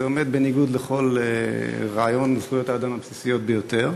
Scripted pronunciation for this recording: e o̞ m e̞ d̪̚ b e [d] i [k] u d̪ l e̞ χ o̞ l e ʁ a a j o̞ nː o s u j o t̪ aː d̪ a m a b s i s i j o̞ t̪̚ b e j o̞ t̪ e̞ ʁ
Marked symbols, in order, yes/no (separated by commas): no, no